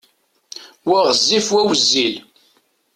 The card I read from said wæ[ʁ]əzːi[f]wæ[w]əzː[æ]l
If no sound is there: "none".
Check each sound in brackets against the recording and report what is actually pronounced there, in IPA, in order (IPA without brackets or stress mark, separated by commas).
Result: ʁ, f, w, i